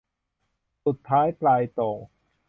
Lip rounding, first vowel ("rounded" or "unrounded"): rounded